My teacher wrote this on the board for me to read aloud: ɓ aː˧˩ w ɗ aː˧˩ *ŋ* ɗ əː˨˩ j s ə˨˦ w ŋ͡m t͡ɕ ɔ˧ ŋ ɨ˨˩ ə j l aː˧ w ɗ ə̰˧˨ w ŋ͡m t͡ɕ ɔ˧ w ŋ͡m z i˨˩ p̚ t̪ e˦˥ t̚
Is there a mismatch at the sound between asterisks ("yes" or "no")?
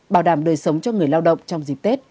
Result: yes